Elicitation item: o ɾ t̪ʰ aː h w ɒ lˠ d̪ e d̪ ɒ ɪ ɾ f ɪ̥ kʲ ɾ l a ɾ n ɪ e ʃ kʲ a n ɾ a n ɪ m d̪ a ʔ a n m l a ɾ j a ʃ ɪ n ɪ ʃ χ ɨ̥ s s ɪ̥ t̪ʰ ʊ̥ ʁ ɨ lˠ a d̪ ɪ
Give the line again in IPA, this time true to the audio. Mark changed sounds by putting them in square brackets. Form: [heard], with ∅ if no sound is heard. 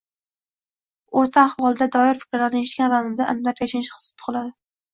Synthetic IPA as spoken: o ɾ t̪ʰ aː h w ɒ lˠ d̪ [a] d̪ ɒ ɪ ɾ f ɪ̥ kʲ ɾ l a ɾ n ɪ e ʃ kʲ a n ɾ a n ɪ m d̪ a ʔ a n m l a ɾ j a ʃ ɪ n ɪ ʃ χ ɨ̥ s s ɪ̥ t̪ʰ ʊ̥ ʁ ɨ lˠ a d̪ ɪ